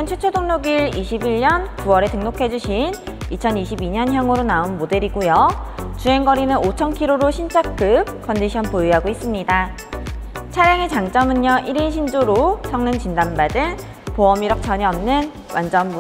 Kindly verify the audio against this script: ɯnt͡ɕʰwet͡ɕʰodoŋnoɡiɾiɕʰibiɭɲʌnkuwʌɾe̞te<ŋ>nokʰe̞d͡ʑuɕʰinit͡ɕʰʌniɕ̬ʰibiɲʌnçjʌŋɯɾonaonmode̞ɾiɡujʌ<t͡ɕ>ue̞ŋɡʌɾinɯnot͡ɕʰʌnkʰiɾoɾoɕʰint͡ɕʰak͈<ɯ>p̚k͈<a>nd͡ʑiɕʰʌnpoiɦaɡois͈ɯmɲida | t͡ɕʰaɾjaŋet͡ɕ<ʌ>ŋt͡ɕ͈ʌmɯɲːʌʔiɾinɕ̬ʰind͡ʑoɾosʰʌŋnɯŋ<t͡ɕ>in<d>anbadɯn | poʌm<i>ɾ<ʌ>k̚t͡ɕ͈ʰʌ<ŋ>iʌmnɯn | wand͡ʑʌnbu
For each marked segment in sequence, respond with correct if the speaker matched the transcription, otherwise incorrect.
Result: correct, correct, correct, incorrect: ʌ, incorrect: a, correct, correct, correct, correct, incorrect: ɲ

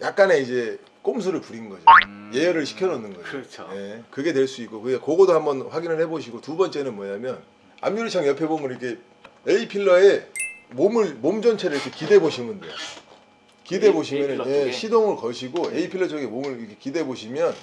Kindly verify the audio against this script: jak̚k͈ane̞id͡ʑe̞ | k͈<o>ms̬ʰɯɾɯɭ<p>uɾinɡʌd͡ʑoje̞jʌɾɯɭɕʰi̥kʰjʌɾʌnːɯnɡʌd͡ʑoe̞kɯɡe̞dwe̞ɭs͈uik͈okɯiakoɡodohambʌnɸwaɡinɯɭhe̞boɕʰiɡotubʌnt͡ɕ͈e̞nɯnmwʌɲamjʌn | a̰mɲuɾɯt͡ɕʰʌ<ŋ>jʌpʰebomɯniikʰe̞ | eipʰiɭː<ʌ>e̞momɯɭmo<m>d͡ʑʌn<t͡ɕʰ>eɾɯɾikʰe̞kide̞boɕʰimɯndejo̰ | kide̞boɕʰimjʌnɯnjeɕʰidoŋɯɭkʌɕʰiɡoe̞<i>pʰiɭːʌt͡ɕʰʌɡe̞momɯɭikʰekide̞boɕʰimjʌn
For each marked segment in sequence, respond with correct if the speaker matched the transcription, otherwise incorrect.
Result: correct, correct, correct, correct, correct, correct, correct

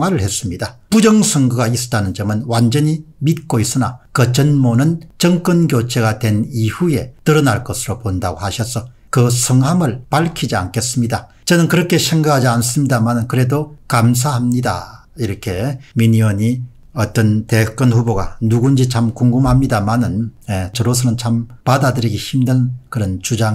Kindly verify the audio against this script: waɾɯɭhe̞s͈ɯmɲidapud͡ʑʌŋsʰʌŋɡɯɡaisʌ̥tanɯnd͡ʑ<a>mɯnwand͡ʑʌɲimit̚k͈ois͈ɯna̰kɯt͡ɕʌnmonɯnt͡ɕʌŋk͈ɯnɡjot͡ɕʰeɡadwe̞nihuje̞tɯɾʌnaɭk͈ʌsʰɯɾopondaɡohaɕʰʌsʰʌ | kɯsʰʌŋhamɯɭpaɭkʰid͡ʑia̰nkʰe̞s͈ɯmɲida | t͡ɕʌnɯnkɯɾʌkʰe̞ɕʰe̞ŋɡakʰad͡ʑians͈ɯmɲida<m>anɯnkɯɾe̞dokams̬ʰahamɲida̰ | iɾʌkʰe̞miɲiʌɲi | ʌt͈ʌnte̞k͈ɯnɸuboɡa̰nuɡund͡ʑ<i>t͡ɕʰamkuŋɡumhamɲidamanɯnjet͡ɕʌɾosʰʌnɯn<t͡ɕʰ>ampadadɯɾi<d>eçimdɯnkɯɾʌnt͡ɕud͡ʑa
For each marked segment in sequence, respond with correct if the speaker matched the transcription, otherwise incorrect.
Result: incorrect: ʌ, correct, correct, correct, incorrect: ɡ

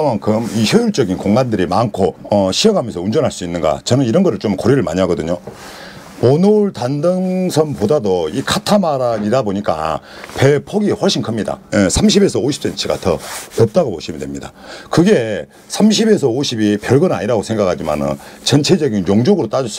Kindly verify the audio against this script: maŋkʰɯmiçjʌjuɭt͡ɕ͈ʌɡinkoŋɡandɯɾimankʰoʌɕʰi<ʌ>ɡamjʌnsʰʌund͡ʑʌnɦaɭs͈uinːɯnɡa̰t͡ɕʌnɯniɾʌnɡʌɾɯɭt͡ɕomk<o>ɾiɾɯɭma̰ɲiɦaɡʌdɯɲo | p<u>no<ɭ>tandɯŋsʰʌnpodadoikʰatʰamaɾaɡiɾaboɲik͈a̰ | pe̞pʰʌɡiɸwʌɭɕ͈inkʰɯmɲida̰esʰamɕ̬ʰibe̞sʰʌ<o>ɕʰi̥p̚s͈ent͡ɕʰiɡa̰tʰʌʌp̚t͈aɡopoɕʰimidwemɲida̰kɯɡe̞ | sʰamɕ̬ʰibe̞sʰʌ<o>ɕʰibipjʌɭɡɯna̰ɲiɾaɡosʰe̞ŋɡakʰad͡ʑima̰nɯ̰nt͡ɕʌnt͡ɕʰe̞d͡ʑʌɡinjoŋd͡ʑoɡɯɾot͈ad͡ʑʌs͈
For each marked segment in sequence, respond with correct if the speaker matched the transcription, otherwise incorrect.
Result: correct, correct, incorrect: o, correct, correct, correct

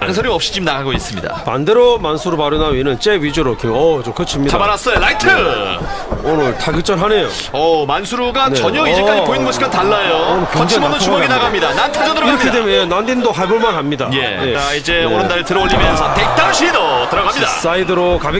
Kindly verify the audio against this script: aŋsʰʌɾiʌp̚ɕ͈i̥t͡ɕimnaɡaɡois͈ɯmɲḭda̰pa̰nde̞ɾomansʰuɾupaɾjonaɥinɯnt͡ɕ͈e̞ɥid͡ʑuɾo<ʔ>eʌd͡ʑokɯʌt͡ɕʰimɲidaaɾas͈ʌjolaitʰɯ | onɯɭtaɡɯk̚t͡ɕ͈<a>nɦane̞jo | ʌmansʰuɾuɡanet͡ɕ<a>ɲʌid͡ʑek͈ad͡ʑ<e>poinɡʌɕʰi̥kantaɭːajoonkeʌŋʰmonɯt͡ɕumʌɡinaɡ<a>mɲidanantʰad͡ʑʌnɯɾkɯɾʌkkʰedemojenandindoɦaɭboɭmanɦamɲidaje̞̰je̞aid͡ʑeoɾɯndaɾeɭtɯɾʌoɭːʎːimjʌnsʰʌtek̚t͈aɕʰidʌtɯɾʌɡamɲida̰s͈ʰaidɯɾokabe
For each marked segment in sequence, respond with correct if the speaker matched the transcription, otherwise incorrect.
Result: incorrect: k, incorrect: ʌ, incorrect: ʌ, incorrect: i, correct

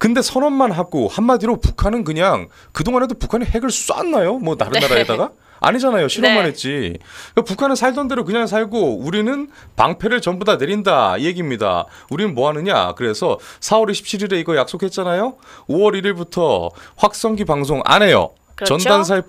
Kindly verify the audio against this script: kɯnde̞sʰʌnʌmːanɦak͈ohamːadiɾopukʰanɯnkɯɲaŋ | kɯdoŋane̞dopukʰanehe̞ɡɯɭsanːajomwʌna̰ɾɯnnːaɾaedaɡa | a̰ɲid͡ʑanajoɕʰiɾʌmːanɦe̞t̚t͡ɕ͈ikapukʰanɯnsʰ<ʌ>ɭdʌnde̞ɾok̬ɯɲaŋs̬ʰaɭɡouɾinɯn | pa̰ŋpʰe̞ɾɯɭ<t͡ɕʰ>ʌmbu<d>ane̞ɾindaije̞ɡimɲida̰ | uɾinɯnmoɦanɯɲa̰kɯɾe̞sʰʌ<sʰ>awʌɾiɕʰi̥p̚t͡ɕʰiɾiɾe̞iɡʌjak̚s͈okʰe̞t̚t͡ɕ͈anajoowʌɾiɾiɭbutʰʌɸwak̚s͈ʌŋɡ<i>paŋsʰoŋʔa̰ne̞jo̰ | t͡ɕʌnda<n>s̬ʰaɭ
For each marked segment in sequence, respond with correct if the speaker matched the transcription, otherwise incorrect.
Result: incorrect: a, incorrect: t͡ɕ, correct, correct, correct, correct

